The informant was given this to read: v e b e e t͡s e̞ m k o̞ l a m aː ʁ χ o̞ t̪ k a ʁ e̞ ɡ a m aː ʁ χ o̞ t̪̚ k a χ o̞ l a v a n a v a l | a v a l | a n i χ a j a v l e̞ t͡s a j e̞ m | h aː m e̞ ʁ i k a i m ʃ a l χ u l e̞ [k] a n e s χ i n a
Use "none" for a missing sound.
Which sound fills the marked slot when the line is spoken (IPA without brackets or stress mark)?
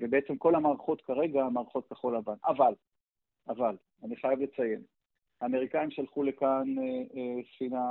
k